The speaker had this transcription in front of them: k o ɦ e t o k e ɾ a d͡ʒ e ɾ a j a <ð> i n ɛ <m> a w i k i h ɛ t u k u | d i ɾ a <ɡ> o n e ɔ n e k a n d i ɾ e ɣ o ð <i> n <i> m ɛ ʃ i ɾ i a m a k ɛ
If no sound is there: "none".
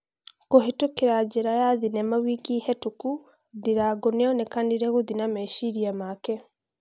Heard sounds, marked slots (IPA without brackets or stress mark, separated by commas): ð, m, ɡ, i, a